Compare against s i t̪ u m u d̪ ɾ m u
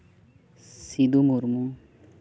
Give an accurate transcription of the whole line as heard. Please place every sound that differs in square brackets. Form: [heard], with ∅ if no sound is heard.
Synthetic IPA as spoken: s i [d̪] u m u [∅] ɾ m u